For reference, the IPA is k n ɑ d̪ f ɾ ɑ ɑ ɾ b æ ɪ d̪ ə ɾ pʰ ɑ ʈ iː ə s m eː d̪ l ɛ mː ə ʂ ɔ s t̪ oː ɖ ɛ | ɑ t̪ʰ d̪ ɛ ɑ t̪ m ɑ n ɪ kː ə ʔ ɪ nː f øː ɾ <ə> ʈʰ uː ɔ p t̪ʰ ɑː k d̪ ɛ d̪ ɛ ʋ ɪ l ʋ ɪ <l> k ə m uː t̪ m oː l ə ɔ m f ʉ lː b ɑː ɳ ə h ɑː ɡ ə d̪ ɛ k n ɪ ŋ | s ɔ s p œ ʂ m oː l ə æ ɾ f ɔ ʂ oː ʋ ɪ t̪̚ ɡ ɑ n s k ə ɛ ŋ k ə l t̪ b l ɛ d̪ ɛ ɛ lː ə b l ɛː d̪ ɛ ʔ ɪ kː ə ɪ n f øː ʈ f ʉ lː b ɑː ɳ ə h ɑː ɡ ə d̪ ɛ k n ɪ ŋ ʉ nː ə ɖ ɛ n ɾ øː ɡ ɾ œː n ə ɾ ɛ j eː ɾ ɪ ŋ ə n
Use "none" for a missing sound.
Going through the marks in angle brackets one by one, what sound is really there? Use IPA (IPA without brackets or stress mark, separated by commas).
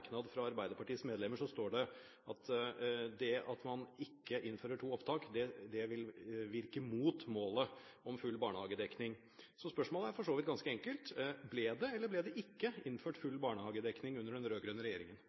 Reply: ə, ɾ